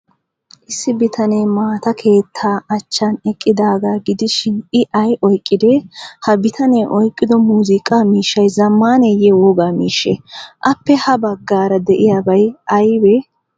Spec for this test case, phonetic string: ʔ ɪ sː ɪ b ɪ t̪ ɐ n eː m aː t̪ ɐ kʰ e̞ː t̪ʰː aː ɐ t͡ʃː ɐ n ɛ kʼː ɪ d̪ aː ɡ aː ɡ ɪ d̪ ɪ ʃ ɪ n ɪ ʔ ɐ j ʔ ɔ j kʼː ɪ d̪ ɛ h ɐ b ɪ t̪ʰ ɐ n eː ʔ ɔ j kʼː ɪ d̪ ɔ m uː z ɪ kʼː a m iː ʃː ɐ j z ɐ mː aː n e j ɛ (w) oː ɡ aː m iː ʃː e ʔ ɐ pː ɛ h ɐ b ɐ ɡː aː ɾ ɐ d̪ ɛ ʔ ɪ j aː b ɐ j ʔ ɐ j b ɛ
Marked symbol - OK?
yes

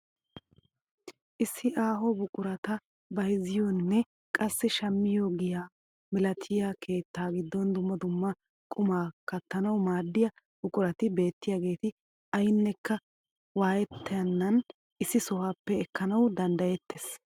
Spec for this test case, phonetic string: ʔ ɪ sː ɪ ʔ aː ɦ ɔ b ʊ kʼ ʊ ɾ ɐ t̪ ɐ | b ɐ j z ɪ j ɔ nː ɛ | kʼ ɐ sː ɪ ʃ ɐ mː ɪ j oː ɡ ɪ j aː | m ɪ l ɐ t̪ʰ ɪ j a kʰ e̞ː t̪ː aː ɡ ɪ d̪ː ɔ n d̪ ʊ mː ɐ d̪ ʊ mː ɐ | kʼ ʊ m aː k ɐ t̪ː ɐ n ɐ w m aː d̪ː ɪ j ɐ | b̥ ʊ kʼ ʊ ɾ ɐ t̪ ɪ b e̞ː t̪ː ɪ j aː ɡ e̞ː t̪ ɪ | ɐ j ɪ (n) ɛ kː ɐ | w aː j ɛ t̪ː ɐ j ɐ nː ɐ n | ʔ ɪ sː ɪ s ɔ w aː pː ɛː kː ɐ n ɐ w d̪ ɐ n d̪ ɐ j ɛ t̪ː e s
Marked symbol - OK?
no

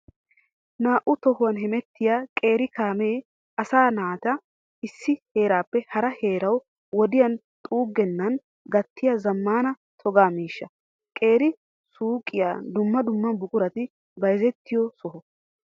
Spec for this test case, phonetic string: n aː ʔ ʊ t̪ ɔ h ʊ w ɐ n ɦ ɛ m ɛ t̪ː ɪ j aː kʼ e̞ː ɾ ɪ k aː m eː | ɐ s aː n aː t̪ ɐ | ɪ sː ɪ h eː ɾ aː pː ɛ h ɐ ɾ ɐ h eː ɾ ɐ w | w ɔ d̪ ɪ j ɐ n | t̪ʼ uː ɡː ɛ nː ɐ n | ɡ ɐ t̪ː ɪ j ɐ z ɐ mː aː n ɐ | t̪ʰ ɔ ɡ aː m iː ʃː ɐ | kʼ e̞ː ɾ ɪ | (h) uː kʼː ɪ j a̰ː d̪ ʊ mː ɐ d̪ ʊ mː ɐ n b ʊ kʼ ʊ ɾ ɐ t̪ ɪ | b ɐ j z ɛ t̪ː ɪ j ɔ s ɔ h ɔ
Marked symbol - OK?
no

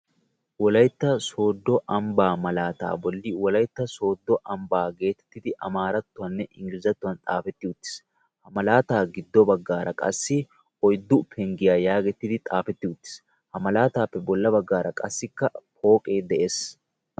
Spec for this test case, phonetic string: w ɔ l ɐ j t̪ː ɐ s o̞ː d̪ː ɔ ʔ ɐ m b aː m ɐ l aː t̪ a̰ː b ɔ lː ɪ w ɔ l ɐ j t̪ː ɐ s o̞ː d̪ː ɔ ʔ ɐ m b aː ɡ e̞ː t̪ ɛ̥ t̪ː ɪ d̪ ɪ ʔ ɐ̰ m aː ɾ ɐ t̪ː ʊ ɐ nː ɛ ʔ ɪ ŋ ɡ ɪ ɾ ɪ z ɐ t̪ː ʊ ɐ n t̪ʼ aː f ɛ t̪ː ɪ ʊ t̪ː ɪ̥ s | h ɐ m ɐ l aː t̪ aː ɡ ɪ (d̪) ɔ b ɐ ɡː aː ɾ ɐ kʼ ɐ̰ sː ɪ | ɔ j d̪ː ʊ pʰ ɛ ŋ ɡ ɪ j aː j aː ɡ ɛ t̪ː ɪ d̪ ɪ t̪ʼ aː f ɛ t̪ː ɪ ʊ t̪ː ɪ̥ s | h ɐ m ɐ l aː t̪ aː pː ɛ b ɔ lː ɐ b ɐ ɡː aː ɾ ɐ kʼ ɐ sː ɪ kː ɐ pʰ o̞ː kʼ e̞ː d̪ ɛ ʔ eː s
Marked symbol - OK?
no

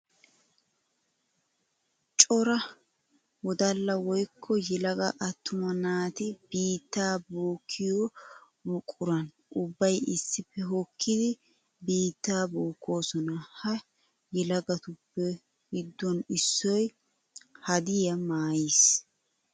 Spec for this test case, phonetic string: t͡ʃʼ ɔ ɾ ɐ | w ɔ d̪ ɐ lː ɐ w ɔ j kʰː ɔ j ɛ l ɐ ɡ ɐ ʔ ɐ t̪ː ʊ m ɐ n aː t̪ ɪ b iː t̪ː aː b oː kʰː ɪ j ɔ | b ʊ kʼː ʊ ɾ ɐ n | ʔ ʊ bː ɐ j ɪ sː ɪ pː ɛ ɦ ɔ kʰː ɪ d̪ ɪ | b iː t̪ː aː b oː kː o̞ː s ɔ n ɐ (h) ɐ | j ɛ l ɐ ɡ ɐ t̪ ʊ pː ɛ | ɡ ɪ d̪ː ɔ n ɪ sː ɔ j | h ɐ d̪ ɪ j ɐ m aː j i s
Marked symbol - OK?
yes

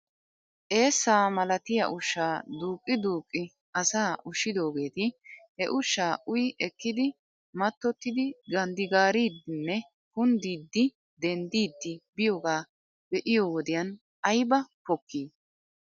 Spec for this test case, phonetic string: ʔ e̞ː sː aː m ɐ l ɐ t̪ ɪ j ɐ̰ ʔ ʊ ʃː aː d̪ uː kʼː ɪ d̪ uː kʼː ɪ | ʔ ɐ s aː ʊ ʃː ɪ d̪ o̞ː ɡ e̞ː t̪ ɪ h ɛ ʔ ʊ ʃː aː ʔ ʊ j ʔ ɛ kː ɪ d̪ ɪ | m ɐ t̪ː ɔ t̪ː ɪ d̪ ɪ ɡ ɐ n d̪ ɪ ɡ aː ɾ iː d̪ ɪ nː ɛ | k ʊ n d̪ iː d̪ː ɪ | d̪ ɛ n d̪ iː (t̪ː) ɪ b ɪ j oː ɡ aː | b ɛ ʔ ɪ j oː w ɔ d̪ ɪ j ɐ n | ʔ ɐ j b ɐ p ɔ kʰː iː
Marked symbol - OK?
no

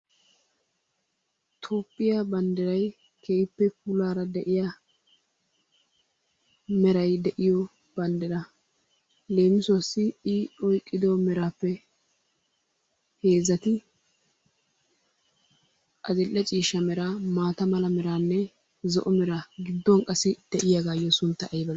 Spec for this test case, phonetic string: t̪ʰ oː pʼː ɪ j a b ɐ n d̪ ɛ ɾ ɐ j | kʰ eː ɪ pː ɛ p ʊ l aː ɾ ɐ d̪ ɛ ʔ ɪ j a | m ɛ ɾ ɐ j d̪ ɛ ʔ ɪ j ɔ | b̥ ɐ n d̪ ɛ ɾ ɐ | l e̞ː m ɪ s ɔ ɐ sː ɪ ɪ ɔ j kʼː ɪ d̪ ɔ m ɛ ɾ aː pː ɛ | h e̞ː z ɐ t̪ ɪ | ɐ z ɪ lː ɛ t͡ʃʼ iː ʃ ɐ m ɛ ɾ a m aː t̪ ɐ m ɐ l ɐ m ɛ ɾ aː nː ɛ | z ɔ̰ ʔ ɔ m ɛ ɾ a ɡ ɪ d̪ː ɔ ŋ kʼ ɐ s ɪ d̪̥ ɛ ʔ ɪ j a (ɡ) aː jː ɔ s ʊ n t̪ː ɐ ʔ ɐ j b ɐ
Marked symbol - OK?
yes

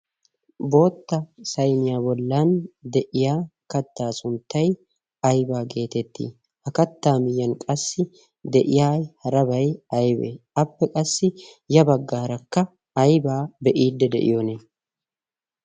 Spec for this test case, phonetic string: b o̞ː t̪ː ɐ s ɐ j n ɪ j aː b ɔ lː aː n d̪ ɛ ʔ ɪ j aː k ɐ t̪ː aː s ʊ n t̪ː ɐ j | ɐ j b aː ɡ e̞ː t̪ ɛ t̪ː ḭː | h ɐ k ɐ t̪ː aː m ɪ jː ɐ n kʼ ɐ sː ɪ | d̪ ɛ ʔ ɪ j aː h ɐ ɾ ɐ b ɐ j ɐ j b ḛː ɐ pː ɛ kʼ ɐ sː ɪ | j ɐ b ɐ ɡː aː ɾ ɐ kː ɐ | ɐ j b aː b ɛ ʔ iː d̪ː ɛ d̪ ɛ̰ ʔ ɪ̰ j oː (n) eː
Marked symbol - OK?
yes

